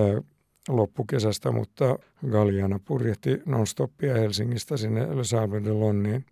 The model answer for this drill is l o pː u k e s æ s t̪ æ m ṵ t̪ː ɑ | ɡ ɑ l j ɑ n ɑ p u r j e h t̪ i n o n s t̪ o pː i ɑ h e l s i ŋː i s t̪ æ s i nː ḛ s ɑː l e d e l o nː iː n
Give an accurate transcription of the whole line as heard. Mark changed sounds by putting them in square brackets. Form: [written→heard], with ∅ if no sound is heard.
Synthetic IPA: l o pː u k e s æ s t̪ æ m ṵ t̪ː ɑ | ɡ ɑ l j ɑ n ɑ p u r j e h t̪ i n o n s t̪ o pː i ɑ h e l s i ŋː i s t̪ æ s i nː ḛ s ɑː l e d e l o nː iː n